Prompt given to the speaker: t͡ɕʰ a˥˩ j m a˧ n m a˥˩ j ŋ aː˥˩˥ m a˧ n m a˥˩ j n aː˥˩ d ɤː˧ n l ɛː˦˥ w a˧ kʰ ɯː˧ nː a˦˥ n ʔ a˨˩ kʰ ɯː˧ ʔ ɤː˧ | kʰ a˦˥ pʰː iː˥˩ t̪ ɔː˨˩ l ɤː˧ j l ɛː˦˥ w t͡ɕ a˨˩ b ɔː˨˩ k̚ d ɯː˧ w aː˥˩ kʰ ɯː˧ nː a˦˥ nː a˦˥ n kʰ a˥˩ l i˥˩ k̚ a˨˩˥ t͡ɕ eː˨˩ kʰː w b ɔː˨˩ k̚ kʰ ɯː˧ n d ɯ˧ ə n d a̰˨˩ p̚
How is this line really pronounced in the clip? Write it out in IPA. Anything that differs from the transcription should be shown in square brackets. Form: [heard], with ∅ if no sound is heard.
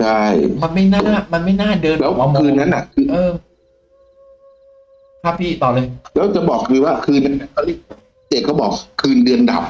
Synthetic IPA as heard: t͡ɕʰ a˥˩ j m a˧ n m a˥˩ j [n] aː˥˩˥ m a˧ n m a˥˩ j n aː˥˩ d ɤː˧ n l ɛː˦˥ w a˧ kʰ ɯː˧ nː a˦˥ n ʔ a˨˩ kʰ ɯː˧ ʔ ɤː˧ | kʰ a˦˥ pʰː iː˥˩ t̪ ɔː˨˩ l ɤː˧ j l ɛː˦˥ w t͡ɕ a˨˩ b ɔː˨˩ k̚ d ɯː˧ w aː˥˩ kʰ ɯː˧ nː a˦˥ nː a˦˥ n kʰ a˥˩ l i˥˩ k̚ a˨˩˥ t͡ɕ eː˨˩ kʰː w b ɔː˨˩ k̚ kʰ ɯː˧ n d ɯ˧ ə n d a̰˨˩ p̚